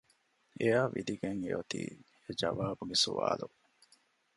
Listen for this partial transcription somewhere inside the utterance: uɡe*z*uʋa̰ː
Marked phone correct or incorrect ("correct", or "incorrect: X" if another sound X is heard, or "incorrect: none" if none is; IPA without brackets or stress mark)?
incorrect: s